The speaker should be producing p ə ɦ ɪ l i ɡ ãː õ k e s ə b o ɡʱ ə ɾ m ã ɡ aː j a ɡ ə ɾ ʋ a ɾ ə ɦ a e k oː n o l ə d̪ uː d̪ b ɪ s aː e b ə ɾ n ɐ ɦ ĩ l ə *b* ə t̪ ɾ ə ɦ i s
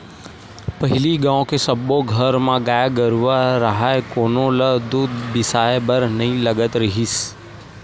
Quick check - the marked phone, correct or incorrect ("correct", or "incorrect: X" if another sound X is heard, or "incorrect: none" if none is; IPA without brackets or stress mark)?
incorrect: ɡ